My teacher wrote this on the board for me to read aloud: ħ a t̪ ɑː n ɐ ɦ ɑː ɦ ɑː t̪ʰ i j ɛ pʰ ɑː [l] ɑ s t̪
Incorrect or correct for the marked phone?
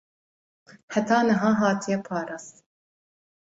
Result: incorrect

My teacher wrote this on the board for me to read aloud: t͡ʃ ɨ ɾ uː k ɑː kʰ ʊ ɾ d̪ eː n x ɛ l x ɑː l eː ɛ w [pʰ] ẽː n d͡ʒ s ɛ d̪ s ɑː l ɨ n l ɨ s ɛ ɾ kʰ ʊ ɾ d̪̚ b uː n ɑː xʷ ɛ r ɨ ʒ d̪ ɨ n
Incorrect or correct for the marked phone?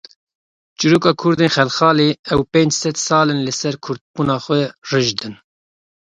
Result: incorrect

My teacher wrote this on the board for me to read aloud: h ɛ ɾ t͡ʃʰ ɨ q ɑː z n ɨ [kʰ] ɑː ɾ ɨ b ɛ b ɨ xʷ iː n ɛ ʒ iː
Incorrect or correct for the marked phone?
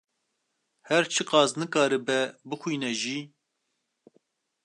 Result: incorrect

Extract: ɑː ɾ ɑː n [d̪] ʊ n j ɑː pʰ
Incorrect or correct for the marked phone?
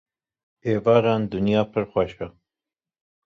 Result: correct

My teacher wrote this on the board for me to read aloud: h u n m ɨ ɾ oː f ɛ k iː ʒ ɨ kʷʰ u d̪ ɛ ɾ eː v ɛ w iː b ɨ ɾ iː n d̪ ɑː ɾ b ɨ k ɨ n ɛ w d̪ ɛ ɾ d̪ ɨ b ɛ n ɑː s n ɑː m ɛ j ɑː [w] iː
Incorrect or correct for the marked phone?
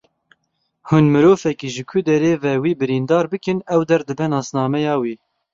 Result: correct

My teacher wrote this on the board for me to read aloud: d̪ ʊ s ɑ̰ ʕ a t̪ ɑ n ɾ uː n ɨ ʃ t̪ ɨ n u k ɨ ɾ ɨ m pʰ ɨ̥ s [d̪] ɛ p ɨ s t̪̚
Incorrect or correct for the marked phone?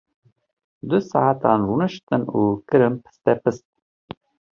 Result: incorrect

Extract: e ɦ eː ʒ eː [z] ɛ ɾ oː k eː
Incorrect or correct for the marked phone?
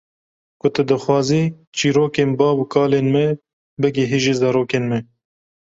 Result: correct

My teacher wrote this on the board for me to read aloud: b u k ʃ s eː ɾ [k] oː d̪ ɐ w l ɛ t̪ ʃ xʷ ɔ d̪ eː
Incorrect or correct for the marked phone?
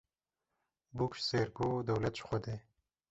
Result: incorrect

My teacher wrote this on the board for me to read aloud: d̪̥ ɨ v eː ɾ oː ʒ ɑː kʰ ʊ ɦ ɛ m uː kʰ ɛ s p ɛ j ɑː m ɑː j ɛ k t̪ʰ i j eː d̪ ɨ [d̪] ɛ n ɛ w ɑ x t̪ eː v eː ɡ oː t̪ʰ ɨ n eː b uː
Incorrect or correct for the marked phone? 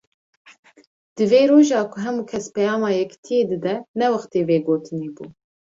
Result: correct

